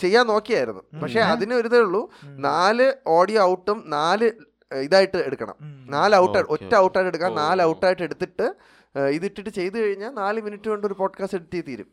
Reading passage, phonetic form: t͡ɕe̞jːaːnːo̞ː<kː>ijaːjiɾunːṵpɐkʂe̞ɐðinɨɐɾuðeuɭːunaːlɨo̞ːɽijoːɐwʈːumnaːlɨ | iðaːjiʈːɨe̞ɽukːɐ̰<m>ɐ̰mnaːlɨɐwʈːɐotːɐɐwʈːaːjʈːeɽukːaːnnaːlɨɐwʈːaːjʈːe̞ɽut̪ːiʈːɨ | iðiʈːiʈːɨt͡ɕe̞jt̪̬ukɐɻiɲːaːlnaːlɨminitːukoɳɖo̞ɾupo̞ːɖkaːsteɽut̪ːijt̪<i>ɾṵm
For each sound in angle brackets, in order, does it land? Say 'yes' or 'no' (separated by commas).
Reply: yes, no, no